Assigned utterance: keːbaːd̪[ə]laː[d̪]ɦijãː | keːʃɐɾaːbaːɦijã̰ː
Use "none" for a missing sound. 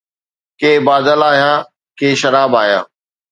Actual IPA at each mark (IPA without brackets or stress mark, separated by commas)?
ə, none